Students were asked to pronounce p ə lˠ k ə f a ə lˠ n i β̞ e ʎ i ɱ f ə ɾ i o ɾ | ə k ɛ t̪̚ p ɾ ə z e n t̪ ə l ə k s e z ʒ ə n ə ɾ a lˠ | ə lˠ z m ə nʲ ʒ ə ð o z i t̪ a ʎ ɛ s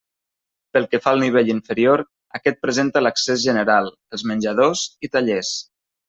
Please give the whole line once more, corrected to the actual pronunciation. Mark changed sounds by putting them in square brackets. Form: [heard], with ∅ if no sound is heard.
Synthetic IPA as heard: p ə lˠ k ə f a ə lˠ n i β̞ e ʎ i ɱ f ə ɾ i o ɾ | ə k ɛ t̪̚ p ɾ ə z e n t̪ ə l ə k s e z ʒ ə n ə ɾ a lˠ | ə lˠ z m ə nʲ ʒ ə ð o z i t̪ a ʎ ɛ s